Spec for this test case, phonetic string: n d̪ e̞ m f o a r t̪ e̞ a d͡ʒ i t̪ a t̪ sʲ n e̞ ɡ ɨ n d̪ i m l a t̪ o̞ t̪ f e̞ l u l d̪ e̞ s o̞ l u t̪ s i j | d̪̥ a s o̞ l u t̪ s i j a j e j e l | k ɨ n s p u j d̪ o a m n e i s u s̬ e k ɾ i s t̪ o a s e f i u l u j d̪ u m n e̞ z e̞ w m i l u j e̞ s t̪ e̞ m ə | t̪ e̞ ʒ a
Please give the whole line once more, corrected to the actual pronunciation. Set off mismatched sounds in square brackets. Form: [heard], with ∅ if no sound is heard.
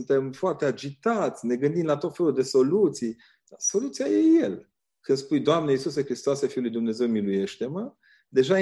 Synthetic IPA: n [t̪] e̞ m f o a r t̪ e̞ a d͡ʒ i t̪ a t̪ sʲ n e̞ ɡ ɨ n d̪ i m l a t̪ o̞ t̪ f e̞ l u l d̪ e̞ s o̞ l u t̪ s i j | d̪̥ a s o̞ l u t̪ s i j a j e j e l | k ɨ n s p u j d̪ o a m n e i s u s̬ e k ɾ i s t̪ o a s e f i u l u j d̪ u m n e̞ z e̞ w m i l u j e̞ [ʃ] t̪ e̞ m ə | [d̪] e̞ ʒ a